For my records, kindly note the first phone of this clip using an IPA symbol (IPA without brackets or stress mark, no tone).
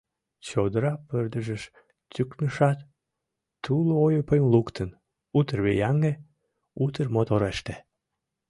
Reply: t͡ɕ